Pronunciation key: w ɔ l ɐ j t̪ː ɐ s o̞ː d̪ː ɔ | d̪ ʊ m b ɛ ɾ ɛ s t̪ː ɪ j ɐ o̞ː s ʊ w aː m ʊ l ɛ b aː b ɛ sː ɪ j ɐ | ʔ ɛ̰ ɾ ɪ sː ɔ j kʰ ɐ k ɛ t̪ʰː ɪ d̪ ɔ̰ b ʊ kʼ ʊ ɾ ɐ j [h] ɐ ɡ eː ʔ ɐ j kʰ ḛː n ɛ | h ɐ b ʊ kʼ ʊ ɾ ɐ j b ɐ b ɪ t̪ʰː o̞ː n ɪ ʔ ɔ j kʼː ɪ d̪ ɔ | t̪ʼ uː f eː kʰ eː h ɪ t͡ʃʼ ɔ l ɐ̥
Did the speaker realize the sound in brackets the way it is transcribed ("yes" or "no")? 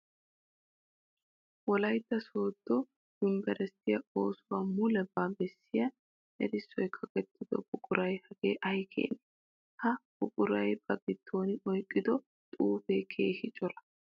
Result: yes